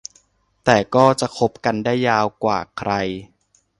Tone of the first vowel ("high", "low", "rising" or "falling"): low